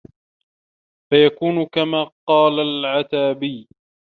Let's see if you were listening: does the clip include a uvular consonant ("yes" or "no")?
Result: yes